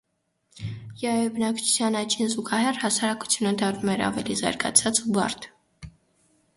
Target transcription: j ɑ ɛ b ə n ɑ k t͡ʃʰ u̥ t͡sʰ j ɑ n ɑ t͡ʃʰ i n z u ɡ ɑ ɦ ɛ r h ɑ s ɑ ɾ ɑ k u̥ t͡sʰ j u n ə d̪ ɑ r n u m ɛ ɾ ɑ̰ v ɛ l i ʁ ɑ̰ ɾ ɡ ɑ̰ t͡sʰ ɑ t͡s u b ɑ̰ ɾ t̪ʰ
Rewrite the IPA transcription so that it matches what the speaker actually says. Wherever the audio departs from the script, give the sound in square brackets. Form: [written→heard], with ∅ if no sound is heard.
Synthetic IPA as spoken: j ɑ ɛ b ə n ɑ k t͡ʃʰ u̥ t͡sʰ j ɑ n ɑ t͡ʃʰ i n z u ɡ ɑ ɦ ɛ r h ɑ s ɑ ɾ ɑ k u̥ t͡sʰ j u n ə d̪ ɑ r n u m ɛ ɾ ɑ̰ v ɛ l i [ʁ→z] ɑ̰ ɾ ɡ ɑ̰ t͡sʰ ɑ t͡s u b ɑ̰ ɾ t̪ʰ

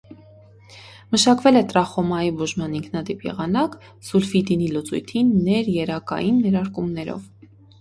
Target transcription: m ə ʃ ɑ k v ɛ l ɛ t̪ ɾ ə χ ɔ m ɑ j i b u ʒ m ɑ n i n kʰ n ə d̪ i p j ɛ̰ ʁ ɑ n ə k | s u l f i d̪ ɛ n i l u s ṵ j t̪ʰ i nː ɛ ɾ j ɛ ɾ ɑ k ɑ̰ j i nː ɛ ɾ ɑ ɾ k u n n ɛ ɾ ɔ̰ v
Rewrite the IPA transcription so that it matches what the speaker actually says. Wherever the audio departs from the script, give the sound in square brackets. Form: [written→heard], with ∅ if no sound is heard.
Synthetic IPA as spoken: m ə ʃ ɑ k v ɛ l ɛ t̪ ɾ [ə→ɑ] χ ɔ m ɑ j i b u ʒ m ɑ n i [n→ŋ] kʰ n [ə→ɑ] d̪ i p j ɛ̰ ʁ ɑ n [ə→ɑ] k | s u l f i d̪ [ɛ→i] n i l u [s→t͡s] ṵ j t̪ʰ i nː ɛ ɾ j ɛ ɾ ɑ k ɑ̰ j i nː ɛ ɾ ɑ ɾ k u [n→m] n ɛ ɾ ɔ̰ v

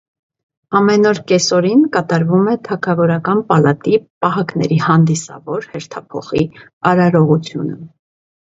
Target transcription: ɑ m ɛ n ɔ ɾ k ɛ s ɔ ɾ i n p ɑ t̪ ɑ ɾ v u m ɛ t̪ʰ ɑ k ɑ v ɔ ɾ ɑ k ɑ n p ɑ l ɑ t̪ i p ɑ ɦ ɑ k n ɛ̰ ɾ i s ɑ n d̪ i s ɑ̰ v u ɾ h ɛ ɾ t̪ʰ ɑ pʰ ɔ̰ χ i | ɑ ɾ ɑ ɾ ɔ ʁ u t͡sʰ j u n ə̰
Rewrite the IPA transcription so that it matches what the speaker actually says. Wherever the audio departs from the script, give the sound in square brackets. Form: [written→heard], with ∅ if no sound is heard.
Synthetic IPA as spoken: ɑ m ɛ n ɔ ɾ k ɛ s ɔ ɾ i n [p→k] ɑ t̪ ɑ ɾ v u m ɛ t̪ʰ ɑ [k→kʰ] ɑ v ɔ ɾ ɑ k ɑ n p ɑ l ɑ t̪ i p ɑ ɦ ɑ k n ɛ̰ ɾ i [s→h] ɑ n d̪ i s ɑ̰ v [u→ɔ] ɾ h ɛ ɾ t̪ʰ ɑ pʰ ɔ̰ χ i | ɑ ɾ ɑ ɾ ɔ ʁ u t͡sʰ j u n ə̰

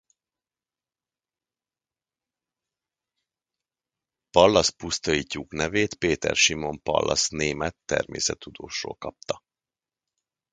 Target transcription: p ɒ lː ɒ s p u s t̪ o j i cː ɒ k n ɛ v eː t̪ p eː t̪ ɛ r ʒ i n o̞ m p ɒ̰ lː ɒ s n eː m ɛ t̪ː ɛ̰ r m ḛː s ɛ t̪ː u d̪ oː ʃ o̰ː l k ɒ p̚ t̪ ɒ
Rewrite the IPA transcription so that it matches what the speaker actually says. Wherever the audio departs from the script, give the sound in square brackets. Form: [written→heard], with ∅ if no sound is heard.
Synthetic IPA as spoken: p ɒ lː ɒ s p u s t̪ o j i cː [ɒ→u] k n ɛ v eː t̪ p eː t̪ ɛ r [ʒ→ʃ] i [n→m] o̞ m p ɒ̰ lː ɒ s n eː m ɛ t̪ː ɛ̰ r m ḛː s ɛ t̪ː u d̪ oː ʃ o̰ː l k ɒ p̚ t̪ ɒ

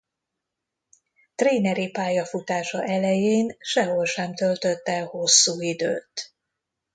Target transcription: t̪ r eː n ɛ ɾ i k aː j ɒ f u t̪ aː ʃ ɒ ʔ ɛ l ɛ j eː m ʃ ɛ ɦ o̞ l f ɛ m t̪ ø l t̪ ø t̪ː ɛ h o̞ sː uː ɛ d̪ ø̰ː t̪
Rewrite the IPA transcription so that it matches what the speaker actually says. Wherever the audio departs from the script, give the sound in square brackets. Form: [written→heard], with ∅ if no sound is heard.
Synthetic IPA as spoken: t̪ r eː n ɛ ɾ i [k→p] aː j ɒ f u t̪ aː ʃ ɒ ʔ ɛ l ɛ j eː [m→n] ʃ ɛ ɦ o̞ l [f→ʃ] ɛ m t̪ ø l t̪ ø t̪ː ɛ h o̞ sː uː [ɛ→i] d̪ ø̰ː t̪

